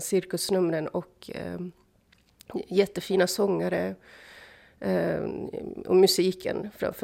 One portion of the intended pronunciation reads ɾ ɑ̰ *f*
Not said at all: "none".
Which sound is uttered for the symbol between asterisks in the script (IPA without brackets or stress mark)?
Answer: f